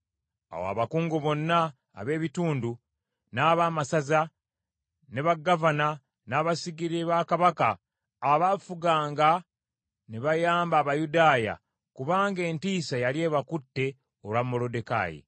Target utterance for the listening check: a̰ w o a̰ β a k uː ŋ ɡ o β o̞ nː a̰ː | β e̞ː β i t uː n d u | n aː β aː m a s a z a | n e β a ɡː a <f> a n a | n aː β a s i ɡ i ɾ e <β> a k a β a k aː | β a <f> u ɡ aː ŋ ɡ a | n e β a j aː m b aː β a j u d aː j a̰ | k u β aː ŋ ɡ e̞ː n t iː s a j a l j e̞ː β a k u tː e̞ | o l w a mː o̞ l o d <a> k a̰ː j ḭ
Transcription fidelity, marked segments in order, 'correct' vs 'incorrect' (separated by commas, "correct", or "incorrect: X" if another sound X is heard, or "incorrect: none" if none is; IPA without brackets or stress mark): incorrect: v, correct, correct, incorrect: e